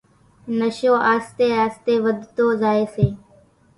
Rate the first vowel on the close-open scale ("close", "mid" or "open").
mid